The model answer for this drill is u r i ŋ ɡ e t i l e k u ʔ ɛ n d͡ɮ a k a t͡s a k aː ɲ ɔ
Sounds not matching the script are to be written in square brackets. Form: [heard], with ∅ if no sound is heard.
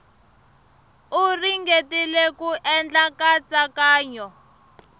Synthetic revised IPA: u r i ŋ ɡ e t i l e k u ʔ ɛ n d͡ɮ a k a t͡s a k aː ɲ ɔ